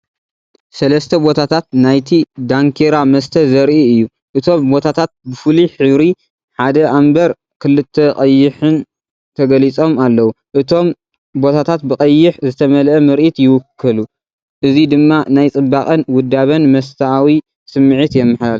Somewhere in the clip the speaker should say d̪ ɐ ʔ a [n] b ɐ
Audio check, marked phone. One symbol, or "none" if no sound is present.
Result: m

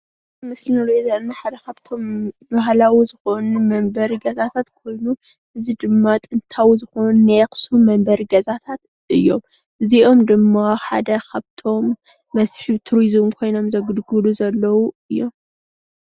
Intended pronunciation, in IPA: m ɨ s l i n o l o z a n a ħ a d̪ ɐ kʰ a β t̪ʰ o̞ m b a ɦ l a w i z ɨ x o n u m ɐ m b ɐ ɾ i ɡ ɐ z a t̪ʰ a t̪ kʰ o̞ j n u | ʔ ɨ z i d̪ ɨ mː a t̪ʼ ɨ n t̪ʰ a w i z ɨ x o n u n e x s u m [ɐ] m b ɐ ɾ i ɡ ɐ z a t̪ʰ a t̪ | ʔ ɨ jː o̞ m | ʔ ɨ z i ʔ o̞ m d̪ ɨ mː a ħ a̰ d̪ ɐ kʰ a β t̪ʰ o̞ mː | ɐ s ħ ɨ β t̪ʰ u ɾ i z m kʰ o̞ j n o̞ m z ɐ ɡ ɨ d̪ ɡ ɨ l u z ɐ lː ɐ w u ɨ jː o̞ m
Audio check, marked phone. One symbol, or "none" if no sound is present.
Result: ɐ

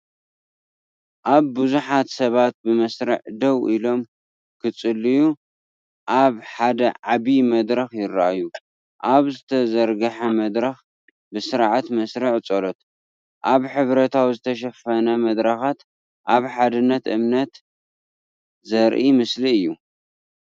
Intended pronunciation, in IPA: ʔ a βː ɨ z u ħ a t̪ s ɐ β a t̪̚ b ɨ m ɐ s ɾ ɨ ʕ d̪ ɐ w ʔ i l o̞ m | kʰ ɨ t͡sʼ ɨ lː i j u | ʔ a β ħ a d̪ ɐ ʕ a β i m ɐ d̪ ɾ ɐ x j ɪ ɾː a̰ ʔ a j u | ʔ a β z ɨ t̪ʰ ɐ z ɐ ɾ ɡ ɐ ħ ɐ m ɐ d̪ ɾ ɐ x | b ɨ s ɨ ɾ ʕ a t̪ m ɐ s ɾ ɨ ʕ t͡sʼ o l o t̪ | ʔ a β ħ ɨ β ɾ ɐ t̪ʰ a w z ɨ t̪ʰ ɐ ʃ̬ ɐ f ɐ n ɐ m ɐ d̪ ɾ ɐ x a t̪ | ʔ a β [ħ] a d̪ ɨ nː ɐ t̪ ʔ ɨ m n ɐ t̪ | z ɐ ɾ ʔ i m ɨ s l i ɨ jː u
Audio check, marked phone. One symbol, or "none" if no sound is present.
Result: ħ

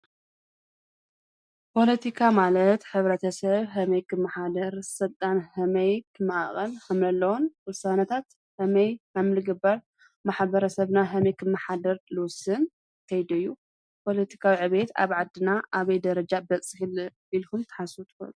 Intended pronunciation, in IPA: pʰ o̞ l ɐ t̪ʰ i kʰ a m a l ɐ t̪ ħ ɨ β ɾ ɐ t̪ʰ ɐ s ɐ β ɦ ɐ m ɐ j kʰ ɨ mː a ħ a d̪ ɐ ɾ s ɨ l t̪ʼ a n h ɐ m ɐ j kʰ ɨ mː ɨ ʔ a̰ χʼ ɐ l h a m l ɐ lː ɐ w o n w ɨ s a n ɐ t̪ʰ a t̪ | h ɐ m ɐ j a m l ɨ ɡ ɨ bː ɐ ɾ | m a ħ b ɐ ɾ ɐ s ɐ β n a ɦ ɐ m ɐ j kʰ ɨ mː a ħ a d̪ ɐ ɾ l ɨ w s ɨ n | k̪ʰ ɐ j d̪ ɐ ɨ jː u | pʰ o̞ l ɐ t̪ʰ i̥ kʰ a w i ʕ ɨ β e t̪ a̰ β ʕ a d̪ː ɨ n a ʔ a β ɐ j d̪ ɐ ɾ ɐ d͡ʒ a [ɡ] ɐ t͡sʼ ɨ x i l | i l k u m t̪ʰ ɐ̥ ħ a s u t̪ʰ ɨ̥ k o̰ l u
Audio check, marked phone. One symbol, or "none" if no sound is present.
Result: b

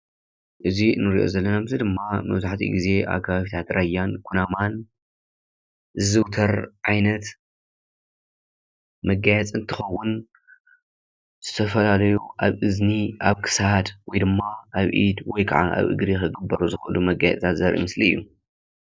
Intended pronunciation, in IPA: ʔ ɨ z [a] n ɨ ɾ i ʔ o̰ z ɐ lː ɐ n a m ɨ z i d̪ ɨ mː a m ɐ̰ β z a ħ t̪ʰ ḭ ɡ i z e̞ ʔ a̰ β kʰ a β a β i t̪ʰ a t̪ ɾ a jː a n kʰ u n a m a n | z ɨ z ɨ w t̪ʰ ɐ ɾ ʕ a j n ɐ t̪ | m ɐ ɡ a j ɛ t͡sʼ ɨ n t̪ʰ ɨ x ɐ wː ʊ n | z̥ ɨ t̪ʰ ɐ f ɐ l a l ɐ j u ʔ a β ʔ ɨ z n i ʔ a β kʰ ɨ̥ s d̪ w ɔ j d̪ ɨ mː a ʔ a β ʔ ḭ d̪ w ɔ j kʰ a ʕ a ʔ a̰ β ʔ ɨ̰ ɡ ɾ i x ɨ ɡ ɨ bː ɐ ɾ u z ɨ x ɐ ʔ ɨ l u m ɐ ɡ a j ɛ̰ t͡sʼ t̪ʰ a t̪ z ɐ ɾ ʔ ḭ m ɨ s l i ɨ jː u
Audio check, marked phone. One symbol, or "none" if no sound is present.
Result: i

